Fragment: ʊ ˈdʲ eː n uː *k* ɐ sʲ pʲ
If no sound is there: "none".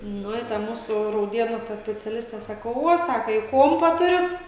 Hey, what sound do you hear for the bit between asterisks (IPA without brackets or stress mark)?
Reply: t